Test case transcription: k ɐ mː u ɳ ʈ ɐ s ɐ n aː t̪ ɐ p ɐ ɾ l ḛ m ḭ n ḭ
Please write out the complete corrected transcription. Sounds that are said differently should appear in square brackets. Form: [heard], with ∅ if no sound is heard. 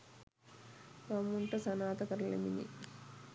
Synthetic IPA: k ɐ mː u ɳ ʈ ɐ s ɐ n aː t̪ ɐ [k] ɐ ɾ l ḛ m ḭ n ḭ